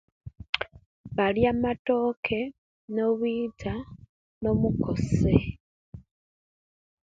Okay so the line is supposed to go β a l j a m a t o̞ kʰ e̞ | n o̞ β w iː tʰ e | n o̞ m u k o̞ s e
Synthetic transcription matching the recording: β a l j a m a t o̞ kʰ e̞ | n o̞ β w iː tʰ a | n o̞ m u k o̞ s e